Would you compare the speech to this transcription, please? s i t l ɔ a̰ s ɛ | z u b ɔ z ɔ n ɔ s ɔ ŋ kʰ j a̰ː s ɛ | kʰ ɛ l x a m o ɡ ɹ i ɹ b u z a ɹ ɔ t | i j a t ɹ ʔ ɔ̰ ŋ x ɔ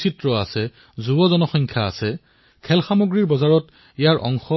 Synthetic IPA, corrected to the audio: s i t ɹ ɔ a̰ s ɛ | z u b ɔ z ɔ n ɔ x ɔ ŋ kʰ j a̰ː s ɛ | kʰ ɛ l x a m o ɡ ɹ i ɹ b ɔ z a ɹ ɔ t | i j a ɹ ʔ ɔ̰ ŋ x ɔ

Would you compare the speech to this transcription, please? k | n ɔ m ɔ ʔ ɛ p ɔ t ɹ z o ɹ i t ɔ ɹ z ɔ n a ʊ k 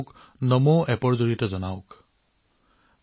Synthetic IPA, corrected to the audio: k | n ɔ m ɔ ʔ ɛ p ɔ ɹ z o ɹ i t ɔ z ɔ n a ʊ k

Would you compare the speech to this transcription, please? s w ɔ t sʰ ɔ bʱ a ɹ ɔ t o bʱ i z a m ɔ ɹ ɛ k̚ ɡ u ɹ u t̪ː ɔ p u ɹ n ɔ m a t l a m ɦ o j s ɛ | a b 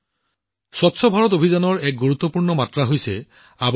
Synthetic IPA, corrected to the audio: s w ɔ t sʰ ɔ bʱ a ɹ ɔ t o bʱ i z a n ɔ ɹ ɛ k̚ ɡ u ɹ u t̪ː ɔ p u ɹ n ɔ m a t ɹ a ɦ o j s ɛ | a b

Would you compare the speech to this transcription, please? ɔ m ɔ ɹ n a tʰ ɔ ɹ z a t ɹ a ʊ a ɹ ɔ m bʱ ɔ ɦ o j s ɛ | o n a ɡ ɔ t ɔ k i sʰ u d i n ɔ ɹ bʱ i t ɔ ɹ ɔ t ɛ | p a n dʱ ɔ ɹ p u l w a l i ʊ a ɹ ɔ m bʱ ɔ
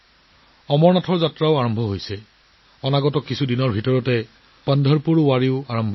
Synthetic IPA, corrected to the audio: ɔ m ɔ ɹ n a tʰ ɔ ɹ z a t ɹ a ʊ a ɹ ɔ m bʱ ɔ ɦ o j s ɛ | ɔ n a ɡ ɔ t ɔ k i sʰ u d i n ɔ ɹ bʱ i t ɔ ɹ ɔ t ɛ | p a n dʱ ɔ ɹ p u ɹ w a ɹ i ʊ a ɹ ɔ m bʱ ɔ

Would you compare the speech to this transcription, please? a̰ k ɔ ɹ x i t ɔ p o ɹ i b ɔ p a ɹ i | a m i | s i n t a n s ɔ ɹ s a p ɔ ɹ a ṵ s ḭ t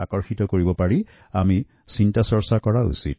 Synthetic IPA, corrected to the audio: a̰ k ɔ ɹ x i t ɔ k o ɹ i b ɔ p a ɹ i | a m i | s i n t a s ɔ ɹ s a k ɔ ɹ a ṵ s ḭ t

